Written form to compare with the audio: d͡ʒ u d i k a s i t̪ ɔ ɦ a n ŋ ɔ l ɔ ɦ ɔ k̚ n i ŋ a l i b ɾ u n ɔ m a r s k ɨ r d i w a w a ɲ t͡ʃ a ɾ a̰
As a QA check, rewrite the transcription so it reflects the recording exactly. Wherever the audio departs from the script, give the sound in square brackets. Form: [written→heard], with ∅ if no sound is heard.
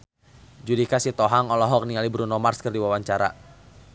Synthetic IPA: d͡ʒ u d i k a s i t̪ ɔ ɦ a [n→∅] ŋ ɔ l ɔ ɦ ɔ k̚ n i ŋ a l i b ɾ u n ɔ m a r s k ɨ r d i w a w a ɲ t͡ʃ a ɾ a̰